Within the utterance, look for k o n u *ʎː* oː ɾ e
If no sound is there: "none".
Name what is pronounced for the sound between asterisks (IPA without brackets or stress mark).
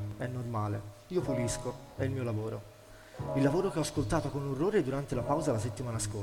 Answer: rː